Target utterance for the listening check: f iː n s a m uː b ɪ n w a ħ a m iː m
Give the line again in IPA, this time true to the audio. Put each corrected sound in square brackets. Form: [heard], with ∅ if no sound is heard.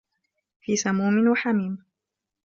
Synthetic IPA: f iː [∅] s a m uː [m] ɪ n w a ħ a m iː m